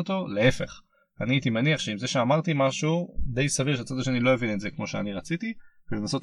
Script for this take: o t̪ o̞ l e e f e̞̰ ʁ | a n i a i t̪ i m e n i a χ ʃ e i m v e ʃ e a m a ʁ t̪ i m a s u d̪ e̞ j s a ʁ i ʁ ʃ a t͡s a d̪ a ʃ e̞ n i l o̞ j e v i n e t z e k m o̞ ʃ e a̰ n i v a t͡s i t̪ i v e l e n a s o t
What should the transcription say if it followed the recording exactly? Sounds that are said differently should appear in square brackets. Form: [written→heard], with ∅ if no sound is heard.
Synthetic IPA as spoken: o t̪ o̞ l e e f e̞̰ [ʁ→χ] | a n i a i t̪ i m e n i a χ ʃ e i m [v→z] e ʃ e a m a ʁ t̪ i m a [s→ʃ] u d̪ e̞ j s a [ʁ→v] i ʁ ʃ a t͡s a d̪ a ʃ e̞ n i l o̞ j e v i n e t z e k m o̞ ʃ e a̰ n i [v→ʁ] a t͡s i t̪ i v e l e n a s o t